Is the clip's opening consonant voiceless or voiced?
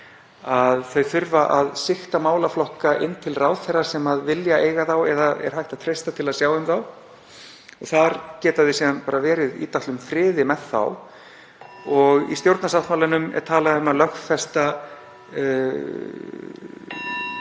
voiced